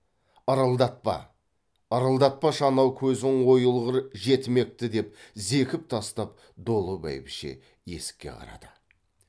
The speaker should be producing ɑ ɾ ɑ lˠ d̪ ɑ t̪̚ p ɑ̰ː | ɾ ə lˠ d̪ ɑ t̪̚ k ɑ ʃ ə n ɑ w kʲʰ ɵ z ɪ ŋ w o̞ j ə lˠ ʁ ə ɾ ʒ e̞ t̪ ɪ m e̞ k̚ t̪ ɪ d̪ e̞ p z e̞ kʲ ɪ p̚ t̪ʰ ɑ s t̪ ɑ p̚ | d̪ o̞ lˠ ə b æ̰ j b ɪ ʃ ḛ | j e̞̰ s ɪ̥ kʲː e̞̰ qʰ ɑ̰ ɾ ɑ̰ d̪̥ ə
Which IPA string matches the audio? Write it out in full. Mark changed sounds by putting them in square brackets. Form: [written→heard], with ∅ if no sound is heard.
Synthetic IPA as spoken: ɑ ɾ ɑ lˠ d̪ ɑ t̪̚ p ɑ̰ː | ɾ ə lˠ d̪ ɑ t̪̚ [k→p] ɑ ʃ [ə→ɑ] n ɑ w kʲʰ ɵ z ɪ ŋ w o̞ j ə lˠ ʁ ə ɾ ʒ e̞ t̪ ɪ m e̞ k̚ t̪ ɪ d̪ e̞ p z e̞ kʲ ɪ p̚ t̪ʰ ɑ s t̪ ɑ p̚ | d̪ o̞ lˠ ə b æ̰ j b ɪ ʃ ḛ | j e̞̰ s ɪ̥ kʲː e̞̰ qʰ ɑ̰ ɾ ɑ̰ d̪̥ ə